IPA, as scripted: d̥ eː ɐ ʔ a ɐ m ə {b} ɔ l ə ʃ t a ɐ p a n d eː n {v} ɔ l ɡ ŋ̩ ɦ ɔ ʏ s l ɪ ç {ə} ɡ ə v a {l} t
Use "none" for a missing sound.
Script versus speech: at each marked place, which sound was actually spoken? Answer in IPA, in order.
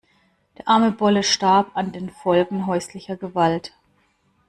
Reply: b, f, ɐ, l

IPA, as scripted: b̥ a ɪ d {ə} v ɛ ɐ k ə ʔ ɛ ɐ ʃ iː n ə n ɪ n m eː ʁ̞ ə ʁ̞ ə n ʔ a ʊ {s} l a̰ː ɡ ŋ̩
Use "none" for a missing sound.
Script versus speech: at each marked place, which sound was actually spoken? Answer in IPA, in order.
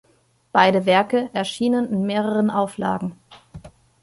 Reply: ə, f

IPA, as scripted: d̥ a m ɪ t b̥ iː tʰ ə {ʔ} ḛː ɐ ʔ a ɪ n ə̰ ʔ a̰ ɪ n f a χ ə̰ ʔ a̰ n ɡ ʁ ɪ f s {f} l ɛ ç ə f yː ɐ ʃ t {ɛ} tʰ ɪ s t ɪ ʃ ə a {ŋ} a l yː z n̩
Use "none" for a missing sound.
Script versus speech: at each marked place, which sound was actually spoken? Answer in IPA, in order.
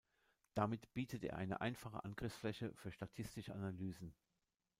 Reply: t, f, a, n

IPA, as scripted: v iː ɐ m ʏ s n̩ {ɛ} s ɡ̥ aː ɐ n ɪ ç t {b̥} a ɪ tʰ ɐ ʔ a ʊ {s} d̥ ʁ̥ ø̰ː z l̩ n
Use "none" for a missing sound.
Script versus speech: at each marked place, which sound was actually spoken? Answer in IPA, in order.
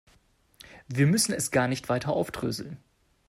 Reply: ɛ, v̥, f

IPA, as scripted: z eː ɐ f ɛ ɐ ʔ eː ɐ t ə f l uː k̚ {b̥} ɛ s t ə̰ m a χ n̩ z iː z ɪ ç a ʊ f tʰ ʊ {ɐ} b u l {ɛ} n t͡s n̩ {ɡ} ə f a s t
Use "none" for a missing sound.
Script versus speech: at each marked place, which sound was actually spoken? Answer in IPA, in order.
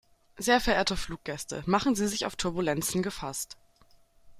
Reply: ɡ̥, ɐ, ɛ, ɡ

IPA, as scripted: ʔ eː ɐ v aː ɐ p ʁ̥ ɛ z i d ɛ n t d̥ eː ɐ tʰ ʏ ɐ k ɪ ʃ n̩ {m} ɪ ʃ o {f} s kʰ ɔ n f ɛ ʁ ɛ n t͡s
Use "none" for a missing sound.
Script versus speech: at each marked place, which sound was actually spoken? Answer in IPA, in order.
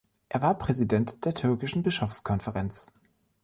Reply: b, f

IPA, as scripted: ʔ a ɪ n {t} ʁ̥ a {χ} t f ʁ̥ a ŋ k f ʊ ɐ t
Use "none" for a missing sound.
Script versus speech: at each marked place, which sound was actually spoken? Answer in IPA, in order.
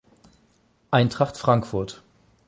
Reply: t, χ

